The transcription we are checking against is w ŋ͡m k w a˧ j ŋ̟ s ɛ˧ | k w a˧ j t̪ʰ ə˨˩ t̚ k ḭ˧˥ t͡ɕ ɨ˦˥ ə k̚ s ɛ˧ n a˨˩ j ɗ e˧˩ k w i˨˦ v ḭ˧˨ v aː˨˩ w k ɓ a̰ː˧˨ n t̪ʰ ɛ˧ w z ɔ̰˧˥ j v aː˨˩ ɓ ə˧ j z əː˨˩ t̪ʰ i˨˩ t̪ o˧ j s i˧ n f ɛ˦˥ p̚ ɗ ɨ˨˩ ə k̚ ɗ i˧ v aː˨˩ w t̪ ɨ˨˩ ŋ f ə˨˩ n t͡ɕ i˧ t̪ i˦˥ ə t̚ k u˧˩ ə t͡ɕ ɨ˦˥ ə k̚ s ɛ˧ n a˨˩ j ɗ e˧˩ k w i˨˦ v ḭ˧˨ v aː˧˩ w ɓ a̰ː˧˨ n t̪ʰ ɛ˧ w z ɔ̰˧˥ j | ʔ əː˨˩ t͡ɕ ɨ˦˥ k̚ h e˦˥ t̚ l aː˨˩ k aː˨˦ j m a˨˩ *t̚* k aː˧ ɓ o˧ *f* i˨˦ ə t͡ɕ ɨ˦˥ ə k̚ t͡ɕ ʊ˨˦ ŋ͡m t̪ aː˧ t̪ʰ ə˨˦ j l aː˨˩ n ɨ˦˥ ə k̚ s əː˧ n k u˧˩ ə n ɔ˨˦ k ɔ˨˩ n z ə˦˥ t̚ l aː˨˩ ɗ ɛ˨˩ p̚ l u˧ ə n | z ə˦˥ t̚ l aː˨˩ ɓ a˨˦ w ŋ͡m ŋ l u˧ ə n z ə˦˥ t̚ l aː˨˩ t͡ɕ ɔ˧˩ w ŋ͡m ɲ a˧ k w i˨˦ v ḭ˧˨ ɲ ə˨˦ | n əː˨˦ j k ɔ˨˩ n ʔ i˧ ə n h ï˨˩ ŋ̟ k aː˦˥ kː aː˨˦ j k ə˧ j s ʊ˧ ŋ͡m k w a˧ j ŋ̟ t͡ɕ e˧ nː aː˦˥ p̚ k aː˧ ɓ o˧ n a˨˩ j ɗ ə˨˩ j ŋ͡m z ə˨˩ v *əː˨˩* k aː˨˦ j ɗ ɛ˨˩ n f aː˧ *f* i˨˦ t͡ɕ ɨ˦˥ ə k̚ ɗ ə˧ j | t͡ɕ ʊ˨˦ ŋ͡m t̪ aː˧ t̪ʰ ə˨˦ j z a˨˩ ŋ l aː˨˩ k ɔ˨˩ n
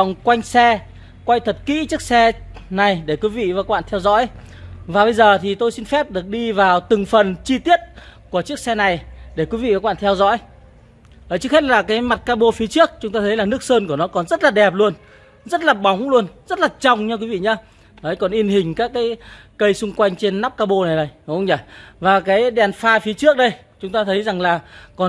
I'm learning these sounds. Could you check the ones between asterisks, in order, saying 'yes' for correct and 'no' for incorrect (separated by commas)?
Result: yes, yes, no, yes